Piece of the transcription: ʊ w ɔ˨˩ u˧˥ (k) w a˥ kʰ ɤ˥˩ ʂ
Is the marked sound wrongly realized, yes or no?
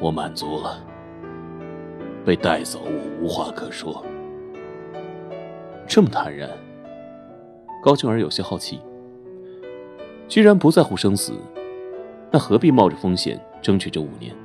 yes